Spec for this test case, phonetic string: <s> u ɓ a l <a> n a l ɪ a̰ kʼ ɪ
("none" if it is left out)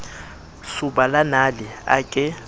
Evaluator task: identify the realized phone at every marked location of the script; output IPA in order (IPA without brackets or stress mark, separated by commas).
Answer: s, a